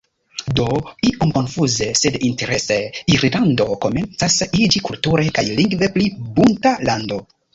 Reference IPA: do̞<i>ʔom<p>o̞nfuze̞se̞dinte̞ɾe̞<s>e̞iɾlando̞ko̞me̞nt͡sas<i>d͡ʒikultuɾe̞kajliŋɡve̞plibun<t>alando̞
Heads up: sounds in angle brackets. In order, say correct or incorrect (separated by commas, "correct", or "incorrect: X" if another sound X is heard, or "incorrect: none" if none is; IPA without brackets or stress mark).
correct, incorrect: k, correct, correct, correct